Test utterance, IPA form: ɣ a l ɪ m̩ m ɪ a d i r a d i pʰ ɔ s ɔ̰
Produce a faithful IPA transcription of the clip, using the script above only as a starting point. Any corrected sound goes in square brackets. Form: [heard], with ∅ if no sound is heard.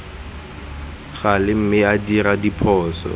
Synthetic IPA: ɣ a l ɪ m̩ m ɪ a d i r a d i pʰ [ɔː] s ɔ̰